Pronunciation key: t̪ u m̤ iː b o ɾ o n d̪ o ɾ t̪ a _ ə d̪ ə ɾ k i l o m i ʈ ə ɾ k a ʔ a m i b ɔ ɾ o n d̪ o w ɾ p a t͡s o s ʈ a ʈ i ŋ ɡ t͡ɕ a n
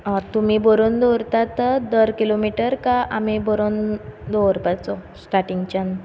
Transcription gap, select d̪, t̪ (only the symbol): t̪